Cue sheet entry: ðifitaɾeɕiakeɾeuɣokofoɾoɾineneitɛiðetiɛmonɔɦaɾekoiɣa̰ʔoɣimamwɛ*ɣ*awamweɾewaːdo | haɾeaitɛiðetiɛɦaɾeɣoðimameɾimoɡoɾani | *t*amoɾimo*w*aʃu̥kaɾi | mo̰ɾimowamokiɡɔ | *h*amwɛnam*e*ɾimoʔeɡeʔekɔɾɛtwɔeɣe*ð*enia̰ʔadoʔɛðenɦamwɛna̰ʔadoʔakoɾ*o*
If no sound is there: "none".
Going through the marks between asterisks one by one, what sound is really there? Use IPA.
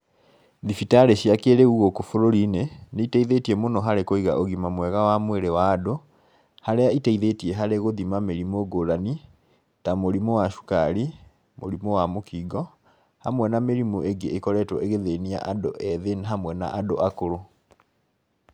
ɣ, t, w, h, e, ð, o

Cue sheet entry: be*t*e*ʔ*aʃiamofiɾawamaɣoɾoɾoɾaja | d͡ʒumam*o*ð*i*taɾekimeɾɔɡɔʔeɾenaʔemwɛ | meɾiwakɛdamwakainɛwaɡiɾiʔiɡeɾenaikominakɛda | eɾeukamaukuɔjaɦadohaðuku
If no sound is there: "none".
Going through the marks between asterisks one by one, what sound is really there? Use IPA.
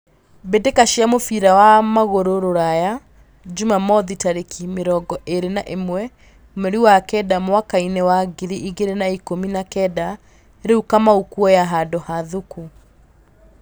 d, k, ɔ, i

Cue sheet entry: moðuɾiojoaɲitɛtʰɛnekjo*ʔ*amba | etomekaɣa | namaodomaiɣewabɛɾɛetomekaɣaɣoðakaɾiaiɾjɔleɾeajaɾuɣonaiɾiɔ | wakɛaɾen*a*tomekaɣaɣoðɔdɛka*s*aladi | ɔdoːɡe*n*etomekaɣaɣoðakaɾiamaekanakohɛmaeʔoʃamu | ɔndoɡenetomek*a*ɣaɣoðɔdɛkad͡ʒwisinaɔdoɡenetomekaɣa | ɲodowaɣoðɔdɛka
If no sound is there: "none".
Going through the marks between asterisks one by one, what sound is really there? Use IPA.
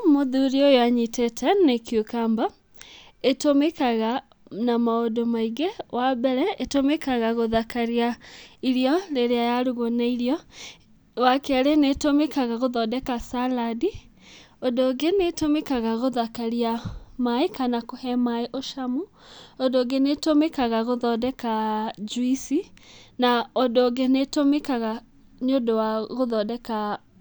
k, e, s, n, a

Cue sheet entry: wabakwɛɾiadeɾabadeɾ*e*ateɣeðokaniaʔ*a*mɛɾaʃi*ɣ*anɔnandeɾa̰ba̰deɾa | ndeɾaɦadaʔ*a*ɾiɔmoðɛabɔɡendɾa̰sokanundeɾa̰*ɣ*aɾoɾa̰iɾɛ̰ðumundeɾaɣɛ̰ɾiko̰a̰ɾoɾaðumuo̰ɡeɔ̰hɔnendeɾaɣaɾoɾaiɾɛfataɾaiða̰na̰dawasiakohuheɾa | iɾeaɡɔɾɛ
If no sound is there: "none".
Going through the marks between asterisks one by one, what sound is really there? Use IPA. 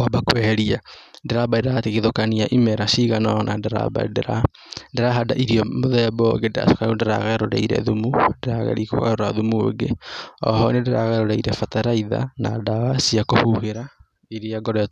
a, i, ɣ, i, ɣ

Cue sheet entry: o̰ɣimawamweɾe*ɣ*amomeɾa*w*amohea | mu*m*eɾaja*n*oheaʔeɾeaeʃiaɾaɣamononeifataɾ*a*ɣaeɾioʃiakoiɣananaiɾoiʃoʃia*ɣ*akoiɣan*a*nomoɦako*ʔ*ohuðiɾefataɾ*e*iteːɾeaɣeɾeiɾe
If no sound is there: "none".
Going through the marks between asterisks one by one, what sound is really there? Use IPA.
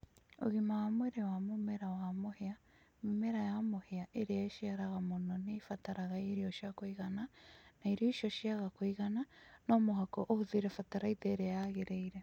w, w, m, m, a, ɣ, a, ʔ, a

